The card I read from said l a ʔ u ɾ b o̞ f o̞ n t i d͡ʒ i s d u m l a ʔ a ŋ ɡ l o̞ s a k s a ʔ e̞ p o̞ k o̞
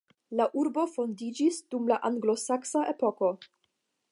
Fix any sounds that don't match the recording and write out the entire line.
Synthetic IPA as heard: l a ʔ u ɾ b o̞ f o̞ n d i d͡ʒ i s d u m l a ʔ a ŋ ɡ l o̞ s a k s a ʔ e̞ p o̞ k o̞